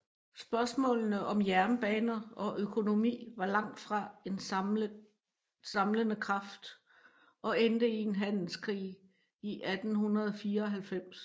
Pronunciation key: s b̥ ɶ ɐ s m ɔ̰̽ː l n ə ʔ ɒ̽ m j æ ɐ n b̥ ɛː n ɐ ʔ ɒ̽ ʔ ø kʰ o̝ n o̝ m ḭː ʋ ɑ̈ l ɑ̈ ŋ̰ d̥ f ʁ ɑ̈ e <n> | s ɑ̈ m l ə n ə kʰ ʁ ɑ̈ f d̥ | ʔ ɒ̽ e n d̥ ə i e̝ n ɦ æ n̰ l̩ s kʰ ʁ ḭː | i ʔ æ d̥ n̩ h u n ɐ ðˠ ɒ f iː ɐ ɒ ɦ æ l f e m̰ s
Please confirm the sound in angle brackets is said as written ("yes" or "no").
yes